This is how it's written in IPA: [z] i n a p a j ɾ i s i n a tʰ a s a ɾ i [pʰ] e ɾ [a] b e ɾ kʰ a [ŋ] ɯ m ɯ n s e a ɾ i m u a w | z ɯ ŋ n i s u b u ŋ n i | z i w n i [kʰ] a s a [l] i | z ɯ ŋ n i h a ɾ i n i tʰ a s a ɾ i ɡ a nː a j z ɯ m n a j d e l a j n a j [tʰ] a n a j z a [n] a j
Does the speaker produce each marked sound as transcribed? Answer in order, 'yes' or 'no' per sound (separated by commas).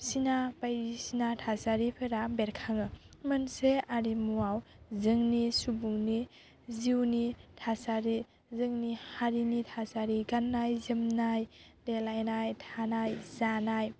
no, yes, yes, yes, no, no, yes, yes